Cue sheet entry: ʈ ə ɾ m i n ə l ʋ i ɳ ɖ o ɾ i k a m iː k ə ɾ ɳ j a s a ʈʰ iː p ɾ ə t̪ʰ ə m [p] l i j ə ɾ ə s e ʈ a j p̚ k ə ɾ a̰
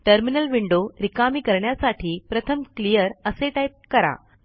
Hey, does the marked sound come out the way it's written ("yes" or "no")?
no